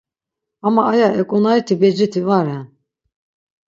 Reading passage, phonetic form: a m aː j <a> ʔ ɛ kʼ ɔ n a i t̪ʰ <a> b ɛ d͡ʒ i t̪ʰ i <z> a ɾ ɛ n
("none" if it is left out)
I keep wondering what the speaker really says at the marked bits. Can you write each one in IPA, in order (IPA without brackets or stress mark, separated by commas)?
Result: a, i, v